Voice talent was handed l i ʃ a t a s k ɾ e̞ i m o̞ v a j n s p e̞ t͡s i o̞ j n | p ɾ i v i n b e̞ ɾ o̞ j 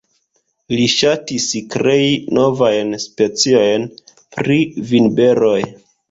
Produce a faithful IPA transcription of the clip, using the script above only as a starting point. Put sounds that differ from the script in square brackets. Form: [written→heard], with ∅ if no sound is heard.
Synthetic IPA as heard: l i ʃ a t [a→i] s k ɾ e̞ i [m→n] o̞ v a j n s p e̞ t͡s i o̞ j n | p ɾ i v i n b e̞ ɾ o̞ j